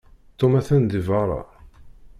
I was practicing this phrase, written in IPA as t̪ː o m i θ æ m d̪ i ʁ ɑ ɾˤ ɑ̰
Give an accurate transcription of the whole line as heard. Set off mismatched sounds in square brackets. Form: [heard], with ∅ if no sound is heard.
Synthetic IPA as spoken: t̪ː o m [æ] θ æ [n] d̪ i [v] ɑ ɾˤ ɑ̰

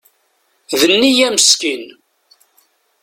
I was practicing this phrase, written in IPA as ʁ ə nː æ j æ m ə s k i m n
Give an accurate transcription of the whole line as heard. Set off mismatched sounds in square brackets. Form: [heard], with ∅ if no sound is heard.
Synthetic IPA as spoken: [ð] ə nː [i] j æ m ə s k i [∅] n

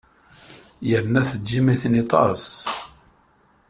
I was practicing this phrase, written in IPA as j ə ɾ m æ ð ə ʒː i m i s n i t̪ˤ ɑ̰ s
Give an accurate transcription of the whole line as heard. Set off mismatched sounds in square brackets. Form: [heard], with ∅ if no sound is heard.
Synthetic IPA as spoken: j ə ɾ [n] æ [θ] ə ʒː i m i [θ] n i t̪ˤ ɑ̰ s

